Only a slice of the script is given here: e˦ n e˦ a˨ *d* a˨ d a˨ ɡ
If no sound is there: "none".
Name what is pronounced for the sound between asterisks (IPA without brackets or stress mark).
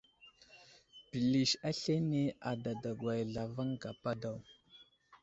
d